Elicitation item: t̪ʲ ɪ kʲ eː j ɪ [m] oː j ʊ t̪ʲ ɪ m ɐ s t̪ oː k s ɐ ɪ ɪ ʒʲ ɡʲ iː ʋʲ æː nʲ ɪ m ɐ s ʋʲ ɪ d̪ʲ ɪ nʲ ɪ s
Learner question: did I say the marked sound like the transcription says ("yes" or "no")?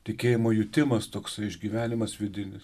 yes